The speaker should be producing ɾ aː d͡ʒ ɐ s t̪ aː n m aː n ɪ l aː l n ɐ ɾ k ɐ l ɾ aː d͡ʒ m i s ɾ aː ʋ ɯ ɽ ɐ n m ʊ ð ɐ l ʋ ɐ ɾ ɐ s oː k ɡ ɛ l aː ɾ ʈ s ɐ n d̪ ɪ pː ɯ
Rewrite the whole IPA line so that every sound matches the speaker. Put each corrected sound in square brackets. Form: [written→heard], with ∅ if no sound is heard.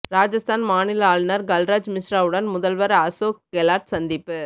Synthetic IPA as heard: ɾ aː d͡ʒ ɐ s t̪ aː n m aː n ɪ l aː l n ɐ ɾ [k→ɡ] ɐ l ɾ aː d͡ʒ m [i→ɪ] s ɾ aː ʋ ɯ ɽ ɐ n m ʊ ð ɐ l ʋ ɐ ɾ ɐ s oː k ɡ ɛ l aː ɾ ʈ s ɐ n d̪ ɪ pː ɯ